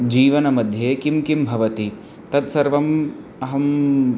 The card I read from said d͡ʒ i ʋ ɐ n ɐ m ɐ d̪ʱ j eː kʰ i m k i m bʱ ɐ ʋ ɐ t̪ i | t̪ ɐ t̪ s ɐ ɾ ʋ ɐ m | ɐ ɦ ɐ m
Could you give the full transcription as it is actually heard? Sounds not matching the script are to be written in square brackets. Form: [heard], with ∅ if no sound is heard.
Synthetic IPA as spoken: d͡ʒ [iː] ʋ ɐ n ɐ m ɐ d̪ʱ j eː [k] i m k i m bʱ ɐ ʋ ɐ t̪ i | t̪ ɐ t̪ s ɐ ɾ ʋ ɐ m | ɐ ɦ ɐ m